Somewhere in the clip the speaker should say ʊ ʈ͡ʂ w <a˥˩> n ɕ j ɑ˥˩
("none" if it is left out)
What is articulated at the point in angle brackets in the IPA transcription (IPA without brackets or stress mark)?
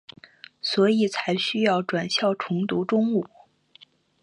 a˨˩